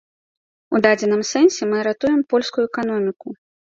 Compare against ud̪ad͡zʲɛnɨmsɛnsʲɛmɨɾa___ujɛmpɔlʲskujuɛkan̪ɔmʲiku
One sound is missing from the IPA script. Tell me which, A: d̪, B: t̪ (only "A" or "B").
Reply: B